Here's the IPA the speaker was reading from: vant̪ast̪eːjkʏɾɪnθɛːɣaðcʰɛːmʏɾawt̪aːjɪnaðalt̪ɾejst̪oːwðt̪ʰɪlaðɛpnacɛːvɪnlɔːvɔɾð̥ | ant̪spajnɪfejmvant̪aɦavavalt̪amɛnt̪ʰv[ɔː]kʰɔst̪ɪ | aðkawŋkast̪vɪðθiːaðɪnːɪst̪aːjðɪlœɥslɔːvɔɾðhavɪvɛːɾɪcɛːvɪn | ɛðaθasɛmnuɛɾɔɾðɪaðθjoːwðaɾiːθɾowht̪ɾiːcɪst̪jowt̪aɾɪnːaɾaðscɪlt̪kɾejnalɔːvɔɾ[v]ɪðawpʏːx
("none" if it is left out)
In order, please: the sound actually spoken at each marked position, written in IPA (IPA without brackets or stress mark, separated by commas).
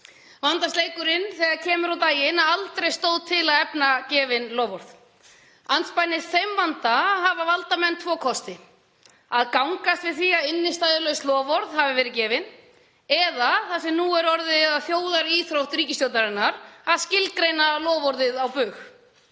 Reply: ɔː, ð